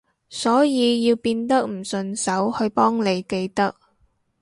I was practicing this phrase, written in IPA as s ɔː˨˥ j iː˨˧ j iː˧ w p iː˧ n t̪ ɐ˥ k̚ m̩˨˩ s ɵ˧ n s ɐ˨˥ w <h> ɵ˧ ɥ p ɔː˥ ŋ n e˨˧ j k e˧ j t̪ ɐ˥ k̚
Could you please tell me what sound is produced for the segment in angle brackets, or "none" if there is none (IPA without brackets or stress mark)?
h